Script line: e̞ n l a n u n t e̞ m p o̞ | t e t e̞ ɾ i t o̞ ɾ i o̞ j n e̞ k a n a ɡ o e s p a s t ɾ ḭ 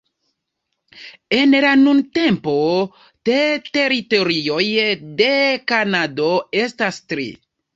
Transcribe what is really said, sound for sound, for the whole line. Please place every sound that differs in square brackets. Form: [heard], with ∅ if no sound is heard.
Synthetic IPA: e̞ n l a n u n t e̞ m p o̞ | t e t e̞ ɾ i t o̞ ɾ i o̞ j [d] e̞ k a n a [d] o e s [t] a s t ɾ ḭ